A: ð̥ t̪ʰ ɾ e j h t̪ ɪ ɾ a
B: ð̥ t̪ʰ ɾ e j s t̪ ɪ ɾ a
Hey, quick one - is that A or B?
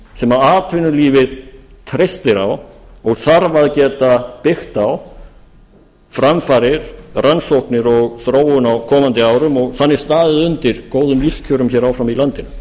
B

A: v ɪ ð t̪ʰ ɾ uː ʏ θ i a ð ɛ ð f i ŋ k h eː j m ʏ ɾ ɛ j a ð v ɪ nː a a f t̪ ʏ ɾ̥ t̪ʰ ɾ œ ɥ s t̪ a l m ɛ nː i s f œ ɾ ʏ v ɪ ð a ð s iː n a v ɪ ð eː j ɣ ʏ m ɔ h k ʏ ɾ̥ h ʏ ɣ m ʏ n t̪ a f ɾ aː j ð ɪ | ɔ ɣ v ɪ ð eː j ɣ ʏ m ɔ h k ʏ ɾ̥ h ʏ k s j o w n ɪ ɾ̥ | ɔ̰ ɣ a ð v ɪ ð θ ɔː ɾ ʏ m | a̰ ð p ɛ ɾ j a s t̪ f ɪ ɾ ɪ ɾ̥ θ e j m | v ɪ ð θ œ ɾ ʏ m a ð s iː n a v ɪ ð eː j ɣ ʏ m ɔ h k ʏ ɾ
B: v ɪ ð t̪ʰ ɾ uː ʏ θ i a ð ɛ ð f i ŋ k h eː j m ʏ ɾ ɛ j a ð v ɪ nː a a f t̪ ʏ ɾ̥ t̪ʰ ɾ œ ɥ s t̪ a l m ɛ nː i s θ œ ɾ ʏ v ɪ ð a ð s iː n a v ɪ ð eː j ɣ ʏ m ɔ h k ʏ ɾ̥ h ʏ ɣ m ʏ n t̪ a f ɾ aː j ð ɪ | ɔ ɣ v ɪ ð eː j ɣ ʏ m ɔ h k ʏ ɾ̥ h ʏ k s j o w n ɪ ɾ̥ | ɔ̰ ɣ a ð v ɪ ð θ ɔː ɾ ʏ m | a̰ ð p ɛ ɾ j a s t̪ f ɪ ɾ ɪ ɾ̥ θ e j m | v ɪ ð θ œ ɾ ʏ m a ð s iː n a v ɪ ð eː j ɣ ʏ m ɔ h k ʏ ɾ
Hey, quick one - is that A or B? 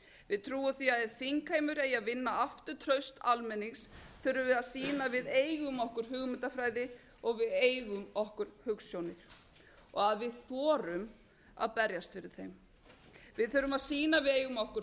B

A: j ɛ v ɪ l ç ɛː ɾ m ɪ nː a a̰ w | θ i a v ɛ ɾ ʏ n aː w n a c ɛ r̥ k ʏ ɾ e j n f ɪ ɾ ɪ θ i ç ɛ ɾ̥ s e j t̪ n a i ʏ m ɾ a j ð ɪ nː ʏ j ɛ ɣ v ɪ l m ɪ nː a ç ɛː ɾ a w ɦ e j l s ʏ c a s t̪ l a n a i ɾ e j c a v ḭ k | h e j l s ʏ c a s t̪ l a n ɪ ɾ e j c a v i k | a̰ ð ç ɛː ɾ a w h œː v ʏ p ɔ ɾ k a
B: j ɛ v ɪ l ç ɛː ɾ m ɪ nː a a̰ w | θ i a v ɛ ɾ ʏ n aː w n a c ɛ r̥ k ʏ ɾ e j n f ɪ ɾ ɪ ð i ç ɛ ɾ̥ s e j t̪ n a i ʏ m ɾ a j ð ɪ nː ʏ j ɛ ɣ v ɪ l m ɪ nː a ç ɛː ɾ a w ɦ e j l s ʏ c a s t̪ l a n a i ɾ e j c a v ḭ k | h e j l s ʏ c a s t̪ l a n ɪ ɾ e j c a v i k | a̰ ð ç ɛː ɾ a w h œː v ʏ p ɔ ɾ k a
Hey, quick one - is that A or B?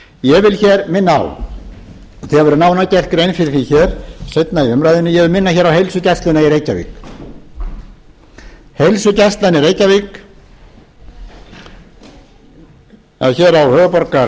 A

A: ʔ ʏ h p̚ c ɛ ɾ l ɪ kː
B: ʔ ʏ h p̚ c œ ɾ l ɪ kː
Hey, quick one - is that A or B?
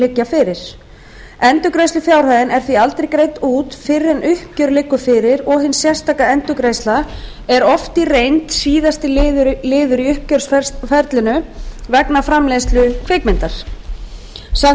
B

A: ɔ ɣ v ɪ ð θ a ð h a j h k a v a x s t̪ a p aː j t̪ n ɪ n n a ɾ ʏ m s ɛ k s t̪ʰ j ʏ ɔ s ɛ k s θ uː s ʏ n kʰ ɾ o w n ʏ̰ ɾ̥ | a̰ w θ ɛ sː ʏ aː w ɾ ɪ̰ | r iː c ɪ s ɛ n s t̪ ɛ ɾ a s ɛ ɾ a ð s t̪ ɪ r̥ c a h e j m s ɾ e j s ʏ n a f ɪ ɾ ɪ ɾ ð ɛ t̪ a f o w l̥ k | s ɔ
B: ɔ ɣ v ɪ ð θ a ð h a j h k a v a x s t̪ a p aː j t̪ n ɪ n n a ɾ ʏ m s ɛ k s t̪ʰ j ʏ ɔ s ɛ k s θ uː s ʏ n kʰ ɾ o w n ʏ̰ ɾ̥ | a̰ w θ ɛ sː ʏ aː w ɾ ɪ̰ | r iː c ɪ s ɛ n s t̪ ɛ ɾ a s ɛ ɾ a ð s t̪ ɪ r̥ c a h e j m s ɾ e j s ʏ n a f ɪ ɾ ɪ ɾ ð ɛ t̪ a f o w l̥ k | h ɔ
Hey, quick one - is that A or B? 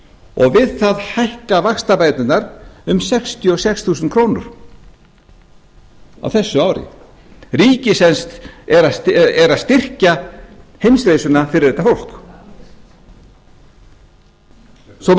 A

